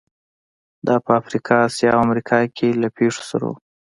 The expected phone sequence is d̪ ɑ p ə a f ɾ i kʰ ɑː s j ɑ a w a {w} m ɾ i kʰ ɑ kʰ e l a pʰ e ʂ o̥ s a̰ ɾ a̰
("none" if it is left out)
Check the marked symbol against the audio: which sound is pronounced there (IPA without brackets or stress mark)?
none